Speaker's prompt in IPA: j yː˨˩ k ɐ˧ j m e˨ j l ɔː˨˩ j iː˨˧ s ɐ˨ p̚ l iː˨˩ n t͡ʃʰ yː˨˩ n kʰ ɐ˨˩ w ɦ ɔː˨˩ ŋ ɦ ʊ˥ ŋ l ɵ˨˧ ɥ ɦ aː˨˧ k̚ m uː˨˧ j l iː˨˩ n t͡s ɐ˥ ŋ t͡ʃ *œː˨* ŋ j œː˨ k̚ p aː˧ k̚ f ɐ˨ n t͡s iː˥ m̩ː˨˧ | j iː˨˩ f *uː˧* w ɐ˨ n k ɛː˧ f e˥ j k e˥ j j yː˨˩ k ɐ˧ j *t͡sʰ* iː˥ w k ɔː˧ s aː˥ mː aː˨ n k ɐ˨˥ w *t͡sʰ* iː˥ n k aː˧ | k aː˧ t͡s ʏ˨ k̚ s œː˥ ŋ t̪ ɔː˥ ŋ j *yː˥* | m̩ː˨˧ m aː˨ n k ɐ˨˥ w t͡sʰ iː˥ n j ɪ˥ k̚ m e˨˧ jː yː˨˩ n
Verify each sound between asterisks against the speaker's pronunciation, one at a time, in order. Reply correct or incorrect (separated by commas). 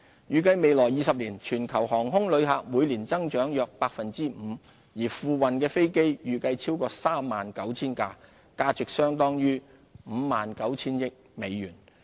incorrect, correct, correct, correct, correct